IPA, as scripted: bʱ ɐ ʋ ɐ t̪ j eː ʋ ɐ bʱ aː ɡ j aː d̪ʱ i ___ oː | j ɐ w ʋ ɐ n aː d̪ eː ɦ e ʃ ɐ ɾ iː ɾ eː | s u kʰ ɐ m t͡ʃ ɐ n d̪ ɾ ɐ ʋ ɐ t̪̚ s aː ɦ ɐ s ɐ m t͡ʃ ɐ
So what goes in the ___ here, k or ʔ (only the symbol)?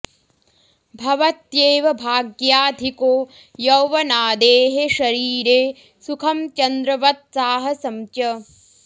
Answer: k